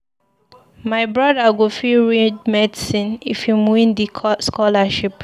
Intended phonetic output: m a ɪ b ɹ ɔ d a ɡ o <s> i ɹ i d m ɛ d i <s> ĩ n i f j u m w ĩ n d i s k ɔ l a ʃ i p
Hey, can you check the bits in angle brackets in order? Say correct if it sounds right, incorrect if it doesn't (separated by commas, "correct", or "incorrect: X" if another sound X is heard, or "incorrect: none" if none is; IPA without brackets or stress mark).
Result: incorrect: f, correct